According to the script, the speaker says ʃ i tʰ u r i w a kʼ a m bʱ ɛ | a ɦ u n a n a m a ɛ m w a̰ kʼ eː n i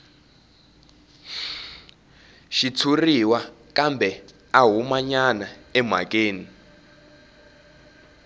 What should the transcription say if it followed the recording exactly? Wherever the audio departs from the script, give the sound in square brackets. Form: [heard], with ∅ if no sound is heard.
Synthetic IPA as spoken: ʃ i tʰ u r i w a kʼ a m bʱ ɛ | a ɦ u [m] a [ɲ] a [n] a ɛ m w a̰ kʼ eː n i